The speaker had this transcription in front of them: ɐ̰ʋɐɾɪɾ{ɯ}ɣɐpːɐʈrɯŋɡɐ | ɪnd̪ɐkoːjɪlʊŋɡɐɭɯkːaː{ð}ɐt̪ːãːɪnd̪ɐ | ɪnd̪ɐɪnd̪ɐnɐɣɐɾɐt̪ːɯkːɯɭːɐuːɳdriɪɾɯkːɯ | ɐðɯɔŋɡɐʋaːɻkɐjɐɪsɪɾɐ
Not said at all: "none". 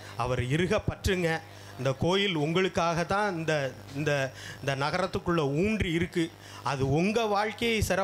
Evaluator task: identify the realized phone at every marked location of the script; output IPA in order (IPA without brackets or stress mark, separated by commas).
ɯ, ɣ